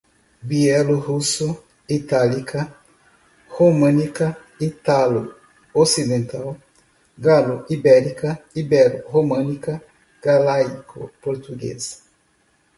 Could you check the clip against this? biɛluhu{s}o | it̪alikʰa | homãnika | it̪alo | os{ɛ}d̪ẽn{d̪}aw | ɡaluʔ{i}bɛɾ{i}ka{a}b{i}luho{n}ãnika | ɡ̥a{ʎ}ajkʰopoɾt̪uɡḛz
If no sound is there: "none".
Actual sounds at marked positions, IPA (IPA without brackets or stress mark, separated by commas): s, i, t̪, i, i, i, ɛ, m, l